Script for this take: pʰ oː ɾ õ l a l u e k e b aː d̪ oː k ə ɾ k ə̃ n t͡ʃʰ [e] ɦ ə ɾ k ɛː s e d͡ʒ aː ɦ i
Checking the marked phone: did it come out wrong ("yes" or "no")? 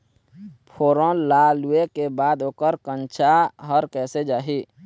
yes